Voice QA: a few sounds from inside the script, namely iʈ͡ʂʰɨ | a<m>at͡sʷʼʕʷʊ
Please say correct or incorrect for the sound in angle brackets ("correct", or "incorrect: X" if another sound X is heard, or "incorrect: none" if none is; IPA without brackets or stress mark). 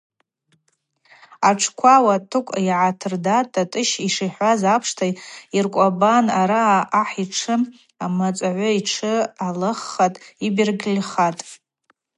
correct